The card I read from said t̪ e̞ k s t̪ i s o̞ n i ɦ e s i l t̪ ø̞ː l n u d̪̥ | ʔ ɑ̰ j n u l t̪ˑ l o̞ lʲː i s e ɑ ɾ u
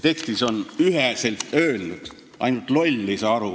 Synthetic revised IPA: t̪ e̞ k s t̪ i s o̞ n y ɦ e s e l t̪ ø̞ː l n u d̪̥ | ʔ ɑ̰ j n u l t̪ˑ l o̞ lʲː i s e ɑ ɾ u